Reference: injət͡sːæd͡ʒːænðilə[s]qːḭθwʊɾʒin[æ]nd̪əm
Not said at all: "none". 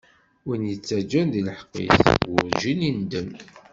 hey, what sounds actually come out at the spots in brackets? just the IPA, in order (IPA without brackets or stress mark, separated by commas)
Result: ħ, i